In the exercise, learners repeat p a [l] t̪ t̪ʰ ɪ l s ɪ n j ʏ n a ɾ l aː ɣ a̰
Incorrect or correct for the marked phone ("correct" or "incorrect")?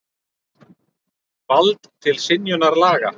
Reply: correct